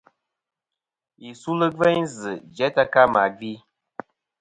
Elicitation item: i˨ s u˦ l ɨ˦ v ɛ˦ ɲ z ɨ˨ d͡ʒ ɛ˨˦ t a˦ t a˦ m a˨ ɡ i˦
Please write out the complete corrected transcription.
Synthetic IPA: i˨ s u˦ l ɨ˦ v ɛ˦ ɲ z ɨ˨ d͡ʒ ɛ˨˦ t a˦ k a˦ m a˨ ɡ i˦